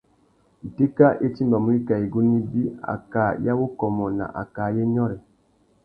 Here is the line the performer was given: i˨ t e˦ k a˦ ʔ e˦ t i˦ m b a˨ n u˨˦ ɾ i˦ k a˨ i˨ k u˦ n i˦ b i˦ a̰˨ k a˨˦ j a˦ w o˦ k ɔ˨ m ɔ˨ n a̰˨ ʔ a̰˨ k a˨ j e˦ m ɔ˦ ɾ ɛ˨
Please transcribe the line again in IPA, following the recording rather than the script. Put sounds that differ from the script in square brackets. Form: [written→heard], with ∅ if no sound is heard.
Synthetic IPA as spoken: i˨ t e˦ k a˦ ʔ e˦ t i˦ m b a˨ [n→m] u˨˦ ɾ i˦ k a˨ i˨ [k→ɡ] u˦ n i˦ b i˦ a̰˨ k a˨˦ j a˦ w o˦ k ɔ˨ m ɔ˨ n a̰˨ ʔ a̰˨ k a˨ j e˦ [m→ɲ] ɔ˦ ɾ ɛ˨